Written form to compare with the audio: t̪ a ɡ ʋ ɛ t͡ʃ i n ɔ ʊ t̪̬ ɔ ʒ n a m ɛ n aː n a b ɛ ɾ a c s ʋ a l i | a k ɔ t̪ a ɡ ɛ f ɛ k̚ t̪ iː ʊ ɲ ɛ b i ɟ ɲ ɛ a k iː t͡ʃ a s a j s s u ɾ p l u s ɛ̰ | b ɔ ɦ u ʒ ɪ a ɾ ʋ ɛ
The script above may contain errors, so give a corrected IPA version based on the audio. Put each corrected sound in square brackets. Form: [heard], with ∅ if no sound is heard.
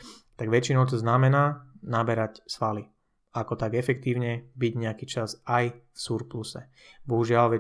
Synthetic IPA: t̪ a ɡ ʋ ɛ t͡ʃ i n ɔ ʊ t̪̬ ɔ [z] n a m ɛ n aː n a b ɛ ɾ a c s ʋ a l i | a k ɔ t̪ a ɡ ɛ f ɛ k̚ t̪ iː ʊ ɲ ɛ b i ɟ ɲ ɛ a k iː t͡ʃ a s a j [f] s u ɾ p l u s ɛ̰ | b ɔ ɦ u ʒ ɪ a [l] ʋ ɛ